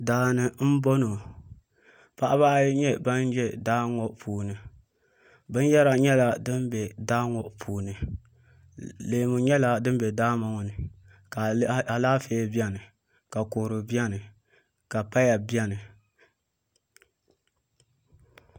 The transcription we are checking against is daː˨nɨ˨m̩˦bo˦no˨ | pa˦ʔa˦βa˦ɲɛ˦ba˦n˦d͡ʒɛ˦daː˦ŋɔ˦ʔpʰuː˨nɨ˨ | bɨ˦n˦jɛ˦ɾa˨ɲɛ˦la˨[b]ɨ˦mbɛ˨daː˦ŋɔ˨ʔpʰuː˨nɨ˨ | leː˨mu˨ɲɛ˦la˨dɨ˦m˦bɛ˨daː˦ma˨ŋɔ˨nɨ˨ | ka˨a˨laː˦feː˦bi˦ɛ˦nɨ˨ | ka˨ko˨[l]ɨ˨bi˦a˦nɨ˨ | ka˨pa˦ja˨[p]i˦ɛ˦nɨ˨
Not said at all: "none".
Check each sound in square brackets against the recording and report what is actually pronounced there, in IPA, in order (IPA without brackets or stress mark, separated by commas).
d, ɾ, b